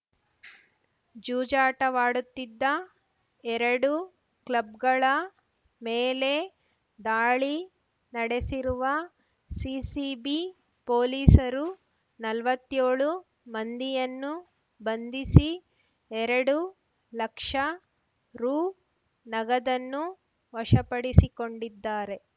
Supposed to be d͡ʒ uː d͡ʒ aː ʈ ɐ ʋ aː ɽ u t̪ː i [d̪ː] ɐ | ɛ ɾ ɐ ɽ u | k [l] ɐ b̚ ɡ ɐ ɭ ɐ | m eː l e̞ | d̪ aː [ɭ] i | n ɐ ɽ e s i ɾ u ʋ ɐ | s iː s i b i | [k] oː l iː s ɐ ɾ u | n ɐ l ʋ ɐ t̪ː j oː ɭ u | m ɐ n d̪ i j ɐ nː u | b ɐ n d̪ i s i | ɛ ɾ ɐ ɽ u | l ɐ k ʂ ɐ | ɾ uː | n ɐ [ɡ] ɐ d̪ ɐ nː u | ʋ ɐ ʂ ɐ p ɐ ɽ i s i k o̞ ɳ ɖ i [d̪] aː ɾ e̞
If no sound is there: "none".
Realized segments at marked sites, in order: d̪ː, l, ɭ, p, ɡ, d̪ː

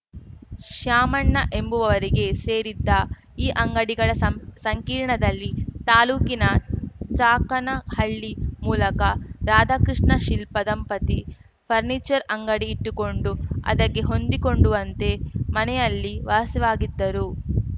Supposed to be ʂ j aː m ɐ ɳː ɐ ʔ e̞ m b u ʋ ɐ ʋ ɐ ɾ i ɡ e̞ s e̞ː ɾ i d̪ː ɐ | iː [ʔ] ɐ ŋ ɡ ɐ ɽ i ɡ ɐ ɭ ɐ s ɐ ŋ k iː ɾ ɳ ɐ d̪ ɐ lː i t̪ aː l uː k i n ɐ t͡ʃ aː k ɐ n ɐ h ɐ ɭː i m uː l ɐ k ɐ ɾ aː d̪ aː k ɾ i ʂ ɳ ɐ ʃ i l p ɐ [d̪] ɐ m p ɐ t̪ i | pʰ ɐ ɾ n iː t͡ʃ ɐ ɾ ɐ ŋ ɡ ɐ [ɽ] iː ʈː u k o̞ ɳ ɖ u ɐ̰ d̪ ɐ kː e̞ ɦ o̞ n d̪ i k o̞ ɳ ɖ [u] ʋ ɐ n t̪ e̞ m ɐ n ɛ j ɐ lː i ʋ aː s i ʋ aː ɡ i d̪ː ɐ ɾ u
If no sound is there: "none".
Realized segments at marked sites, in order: ʔ, d̪, ɽ, u

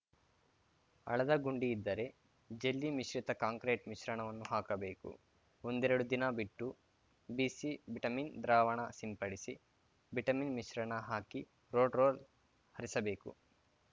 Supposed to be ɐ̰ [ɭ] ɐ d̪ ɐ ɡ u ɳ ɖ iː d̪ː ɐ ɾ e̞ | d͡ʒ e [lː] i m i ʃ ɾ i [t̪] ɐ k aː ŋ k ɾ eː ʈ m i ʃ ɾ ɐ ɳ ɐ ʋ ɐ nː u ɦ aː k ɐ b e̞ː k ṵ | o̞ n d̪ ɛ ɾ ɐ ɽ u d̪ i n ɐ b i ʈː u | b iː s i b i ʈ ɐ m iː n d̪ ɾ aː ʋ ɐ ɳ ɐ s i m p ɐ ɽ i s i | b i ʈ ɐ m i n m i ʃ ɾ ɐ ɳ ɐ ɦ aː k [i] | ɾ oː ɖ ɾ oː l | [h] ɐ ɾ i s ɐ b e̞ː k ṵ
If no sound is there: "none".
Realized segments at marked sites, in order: ɭ, lː, t̪, i, h

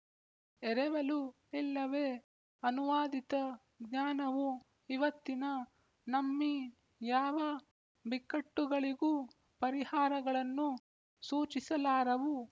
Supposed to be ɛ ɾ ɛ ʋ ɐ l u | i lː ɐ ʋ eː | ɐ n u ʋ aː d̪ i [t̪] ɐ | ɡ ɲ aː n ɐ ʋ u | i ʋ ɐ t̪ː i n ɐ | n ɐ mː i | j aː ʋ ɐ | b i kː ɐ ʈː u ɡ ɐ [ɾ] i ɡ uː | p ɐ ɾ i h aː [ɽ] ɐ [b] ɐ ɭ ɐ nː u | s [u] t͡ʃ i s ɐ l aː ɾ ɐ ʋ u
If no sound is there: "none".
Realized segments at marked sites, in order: t̪, ɭ, ɾ, ɡ, uː

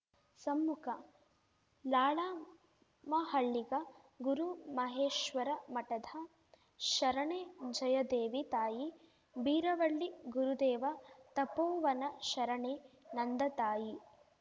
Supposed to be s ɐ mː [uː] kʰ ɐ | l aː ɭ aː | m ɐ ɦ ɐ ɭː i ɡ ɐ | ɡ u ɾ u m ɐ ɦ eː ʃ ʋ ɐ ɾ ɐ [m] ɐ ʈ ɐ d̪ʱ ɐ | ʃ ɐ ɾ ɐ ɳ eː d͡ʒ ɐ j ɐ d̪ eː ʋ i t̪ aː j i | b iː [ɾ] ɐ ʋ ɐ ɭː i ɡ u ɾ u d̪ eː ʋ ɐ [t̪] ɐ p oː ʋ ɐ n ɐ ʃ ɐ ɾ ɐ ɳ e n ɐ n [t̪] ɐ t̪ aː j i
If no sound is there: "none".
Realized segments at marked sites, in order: u, m, ɾ, t̪, d̪

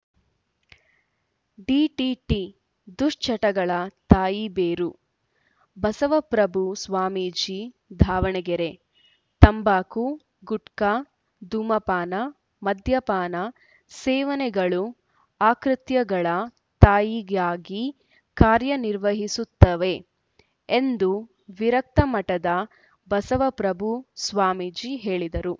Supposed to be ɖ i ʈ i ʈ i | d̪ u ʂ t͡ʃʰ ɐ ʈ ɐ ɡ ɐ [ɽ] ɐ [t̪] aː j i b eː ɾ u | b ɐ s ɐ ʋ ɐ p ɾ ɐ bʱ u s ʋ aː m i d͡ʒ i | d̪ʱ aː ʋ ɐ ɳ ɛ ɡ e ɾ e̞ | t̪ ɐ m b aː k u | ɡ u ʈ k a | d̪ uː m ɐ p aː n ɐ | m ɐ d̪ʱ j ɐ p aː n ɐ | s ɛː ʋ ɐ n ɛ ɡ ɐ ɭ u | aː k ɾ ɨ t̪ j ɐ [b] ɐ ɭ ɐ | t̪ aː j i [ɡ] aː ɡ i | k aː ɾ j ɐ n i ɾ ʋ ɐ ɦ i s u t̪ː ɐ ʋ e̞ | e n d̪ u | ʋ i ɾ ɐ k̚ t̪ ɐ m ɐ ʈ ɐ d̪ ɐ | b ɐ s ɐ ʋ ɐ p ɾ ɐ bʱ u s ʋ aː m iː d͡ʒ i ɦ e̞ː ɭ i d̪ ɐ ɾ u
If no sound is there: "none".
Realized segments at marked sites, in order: ɭ, t̪, ɡ, ɡ

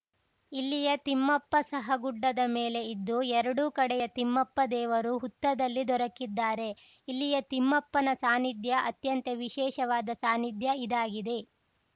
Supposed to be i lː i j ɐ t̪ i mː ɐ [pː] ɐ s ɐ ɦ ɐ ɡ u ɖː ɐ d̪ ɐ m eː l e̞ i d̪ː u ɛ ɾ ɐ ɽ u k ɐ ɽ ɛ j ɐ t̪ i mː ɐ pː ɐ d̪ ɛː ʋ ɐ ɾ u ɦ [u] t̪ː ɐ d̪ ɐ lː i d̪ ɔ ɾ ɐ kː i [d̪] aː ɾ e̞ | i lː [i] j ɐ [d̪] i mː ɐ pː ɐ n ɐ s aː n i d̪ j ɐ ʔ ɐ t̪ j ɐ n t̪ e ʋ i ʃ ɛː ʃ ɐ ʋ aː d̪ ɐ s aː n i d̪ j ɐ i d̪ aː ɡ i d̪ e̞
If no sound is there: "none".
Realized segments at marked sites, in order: pː, u, d̪ː, i, t̪

